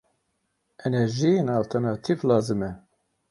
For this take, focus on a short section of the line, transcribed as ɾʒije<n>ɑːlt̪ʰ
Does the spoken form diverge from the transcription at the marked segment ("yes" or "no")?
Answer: no